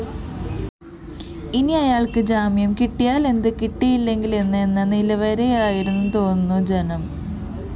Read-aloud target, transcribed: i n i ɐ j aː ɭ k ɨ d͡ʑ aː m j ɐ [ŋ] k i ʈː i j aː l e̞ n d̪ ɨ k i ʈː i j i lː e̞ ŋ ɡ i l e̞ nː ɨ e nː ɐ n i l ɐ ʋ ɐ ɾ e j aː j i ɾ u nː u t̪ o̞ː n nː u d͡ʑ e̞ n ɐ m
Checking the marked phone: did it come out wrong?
yes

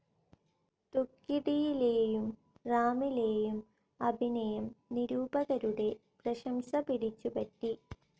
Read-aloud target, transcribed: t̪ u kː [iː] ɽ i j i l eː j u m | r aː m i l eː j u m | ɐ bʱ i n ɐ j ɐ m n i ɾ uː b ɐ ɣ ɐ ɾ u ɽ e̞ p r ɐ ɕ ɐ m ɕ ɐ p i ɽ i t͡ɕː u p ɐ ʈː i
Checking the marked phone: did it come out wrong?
yes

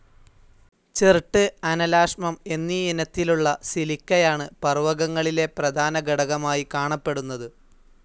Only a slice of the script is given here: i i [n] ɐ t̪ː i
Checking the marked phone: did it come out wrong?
no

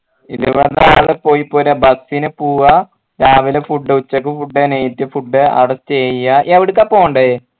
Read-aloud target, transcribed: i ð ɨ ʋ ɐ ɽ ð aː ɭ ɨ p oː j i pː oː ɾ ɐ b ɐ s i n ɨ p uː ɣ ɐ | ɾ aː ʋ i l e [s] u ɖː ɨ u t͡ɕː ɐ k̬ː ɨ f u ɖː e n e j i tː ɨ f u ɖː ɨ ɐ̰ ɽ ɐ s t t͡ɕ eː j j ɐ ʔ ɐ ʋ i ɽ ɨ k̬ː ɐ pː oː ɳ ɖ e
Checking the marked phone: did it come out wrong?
yes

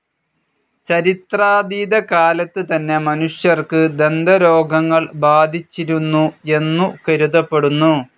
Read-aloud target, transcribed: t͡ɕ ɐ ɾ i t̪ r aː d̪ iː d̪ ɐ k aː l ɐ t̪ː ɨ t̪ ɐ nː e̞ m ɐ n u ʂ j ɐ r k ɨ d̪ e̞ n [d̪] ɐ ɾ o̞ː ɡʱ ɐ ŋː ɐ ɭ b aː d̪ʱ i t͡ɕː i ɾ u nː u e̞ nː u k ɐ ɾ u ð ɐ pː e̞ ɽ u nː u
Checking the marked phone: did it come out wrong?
no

